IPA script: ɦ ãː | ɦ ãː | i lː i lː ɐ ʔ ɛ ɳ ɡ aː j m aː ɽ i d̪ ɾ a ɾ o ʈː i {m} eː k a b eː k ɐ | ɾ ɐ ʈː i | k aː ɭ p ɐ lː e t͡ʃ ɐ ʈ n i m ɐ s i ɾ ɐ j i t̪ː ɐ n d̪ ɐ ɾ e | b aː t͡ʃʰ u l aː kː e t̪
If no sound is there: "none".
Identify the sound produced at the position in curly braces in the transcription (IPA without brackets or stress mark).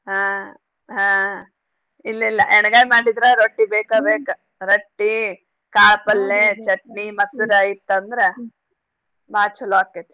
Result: b